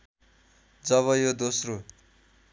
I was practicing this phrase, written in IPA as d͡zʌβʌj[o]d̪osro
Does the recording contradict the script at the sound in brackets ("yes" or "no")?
no